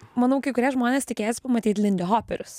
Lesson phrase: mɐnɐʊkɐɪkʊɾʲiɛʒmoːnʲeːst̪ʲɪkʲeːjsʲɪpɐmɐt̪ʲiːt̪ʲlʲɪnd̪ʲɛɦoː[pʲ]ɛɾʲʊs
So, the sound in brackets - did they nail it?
yes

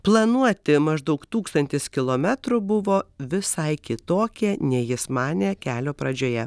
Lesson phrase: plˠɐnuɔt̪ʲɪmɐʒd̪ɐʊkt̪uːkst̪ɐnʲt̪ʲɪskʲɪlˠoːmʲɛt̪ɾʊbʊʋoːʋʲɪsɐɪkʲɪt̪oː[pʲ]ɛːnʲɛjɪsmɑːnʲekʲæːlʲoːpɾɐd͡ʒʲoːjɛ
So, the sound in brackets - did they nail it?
no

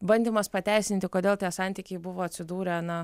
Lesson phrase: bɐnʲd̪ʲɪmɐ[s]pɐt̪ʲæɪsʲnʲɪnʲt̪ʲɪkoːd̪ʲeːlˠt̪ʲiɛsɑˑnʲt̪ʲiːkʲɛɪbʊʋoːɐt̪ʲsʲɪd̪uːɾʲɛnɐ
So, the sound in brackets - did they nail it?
yes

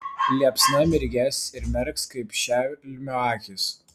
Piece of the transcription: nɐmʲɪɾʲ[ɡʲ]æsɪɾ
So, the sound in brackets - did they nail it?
yes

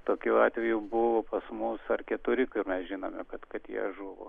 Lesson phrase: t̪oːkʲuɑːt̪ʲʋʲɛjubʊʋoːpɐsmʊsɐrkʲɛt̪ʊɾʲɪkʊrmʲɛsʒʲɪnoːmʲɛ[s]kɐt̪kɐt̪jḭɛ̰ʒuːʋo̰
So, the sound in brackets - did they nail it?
no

